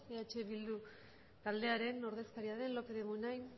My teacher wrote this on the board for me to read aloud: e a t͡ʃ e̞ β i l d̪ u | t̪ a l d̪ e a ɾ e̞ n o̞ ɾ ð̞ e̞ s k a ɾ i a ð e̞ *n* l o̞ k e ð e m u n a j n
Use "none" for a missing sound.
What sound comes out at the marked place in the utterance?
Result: n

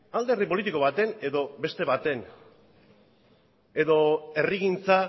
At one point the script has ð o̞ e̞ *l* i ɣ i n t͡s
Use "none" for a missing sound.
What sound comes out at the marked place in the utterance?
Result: r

